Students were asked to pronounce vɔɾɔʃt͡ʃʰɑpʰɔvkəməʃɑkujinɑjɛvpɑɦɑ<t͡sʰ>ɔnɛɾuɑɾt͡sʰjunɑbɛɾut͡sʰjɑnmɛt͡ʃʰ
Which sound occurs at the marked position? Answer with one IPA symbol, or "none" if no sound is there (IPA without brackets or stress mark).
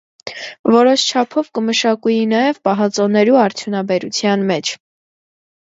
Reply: t͡s